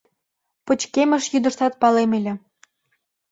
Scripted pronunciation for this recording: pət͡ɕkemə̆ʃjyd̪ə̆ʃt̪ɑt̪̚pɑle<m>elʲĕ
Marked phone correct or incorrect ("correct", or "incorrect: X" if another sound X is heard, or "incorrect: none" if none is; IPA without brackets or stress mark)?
correct